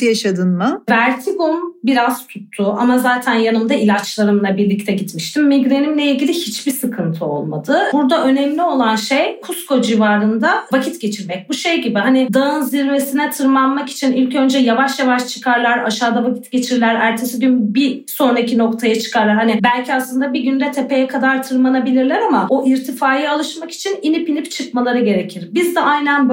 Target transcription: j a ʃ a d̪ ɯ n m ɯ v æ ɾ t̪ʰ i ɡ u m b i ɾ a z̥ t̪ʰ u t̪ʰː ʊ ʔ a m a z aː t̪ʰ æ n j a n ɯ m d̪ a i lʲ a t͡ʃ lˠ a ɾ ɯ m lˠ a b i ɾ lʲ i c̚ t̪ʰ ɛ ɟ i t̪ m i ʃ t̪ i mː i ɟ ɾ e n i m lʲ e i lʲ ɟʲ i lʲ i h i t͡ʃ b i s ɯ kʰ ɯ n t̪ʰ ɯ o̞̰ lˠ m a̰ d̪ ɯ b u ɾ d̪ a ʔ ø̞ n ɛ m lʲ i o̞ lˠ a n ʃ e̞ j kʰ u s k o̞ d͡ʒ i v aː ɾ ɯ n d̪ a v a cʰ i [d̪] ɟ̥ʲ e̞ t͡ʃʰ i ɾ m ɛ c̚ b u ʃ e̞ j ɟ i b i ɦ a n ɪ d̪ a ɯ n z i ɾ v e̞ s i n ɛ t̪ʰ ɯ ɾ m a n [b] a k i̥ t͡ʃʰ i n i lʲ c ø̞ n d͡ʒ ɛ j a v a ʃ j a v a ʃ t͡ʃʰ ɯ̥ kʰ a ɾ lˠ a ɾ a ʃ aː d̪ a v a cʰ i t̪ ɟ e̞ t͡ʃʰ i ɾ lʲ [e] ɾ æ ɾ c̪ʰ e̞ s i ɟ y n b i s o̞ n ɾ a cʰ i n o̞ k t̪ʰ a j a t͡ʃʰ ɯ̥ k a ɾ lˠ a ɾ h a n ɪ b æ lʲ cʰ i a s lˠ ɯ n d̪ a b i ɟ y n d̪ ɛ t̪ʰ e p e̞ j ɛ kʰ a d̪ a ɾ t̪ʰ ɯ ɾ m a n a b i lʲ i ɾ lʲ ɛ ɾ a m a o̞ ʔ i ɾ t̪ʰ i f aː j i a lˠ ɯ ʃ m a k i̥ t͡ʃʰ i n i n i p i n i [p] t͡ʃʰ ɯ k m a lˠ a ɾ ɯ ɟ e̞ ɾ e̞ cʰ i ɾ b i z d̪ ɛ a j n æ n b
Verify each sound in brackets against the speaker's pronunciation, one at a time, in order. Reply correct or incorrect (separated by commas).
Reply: incorrect, incorrect, incorrect, correct